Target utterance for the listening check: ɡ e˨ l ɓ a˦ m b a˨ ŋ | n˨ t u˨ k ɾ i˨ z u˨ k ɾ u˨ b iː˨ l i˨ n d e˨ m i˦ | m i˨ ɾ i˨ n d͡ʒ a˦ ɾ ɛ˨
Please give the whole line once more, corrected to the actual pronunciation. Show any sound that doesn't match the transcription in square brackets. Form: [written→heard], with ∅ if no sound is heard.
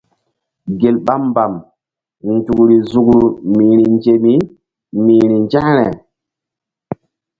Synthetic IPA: ɡ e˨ l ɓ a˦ m b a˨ [ŋ→m] | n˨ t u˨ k ɾ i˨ z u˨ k ɾ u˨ [b→m] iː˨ [l→ɾ] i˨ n [d→d͡ʒ] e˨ m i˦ | m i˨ ɾ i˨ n d͡ʒ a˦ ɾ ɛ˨